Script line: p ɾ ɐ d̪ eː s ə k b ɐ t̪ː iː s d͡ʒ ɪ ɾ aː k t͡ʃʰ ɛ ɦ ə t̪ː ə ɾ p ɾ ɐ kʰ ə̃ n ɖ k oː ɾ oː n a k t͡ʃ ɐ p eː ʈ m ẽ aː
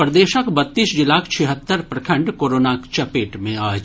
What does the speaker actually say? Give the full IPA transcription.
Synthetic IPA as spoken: p ɾ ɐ d̪ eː ʃ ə k b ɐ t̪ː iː s d͡ʒ ɪ l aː k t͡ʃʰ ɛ ɦ ə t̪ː ə ɾ p ɾ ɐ kʰ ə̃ ɳ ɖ k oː ɾ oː n a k t͡ʃ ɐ p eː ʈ m ẽ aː

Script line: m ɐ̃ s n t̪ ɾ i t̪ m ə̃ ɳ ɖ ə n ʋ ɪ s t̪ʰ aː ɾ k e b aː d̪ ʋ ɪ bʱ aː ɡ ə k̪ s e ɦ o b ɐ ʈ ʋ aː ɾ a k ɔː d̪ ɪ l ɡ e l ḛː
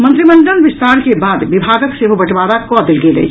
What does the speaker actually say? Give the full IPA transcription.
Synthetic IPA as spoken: m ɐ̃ n t̪ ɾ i m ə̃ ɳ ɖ ə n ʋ ɪ s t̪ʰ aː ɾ k e b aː d̪ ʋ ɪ bʱ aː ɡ ə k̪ s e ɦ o b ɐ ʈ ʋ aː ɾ a k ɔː d̪ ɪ l ɡ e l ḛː

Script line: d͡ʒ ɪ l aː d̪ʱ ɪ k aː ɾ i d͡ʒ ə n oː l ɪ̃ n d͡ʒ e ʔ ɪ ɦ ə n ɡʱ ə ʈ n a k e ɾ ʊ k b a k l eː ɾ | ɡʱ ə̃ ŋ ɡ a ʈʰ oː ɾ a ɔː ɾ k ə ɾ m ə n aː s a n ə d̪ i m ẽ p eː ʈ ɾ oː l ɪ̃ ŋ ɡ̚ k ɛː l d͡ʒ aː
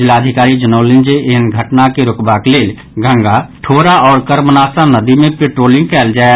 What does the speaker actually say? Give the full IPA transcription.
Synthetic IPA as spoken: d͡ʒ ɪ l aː d̪ʱ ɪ k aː ɾ i d͡ʒ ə n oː l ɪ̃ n d͡ʒ e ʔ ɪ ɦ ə n ɡʱ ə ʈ n a k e ɾ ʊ k b a k l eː l | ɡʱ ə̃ ŋ ɡ a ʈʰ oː ɾ a ɔː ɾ k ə ɾ m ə n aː s a n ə d̪ i m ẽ p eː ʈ ɾ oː l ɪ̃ ŋ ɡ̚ k ɛː l d͡ʒ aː

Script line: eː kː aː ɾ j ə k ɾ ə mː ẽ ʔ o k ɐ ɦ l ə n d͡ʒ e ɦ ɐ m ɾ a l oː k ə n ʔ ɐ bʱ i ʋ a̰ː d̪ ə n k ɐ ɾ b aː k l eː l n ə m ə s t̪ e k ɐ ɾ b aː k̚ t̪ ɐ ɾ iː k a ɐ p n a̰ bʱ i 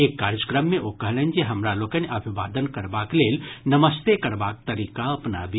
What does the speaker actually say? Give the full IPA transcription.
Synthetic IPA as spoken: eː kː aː ɾ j ə k ɾ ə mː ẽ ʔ o k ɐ ɦ l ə n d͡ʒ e ɦ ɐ m ɾ a l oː k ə n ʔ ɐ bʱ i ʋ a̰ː d̪ ə n k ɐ ɾ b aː k l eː l n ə m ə s t̪ e k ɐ ɾ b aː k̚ t̪ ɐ ɾ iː k a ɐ p n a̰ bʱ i

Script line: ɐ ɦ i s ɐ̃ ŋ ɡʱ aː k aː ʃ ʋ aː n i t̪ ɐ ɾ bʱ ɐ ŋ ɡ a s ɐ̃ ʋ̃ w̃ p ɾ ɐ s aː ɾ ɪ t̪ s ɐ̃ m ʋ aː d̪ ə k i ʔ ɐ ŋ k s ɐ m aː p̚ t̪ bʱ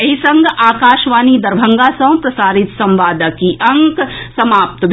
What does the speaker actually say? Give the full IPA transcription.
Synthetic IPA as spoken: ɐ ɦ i s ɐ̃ ŋ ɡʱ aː k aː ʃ ʋ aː n i d̪ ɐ ɾ bʱ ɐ ŋ ɡ a s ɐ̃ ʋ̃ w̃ p ɾ ɐ s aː ɾ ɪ t̪ s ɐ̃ m ʋ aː d̪ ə k i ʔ ɐ ŋ k s ɐ m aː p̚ t̪ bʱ

